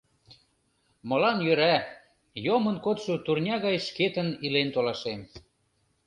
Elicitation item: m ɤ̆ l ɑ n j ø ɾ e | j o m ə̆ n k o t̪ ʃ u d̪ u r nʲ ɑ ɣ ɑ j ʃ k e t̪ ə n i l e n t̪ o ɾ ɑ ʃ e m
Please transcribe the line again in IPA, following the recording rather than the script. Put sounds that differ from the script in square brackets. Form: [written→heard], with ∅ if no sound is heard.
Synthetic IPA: m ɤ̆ l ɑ n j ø ɾ [e→æ] | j o m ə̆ n k o t̪ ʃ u [d̪→t̪] u r nʲ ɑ ɣ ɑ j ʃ k e t̪ ə n i l e n t̪ o [ɾ→l] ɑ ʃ e m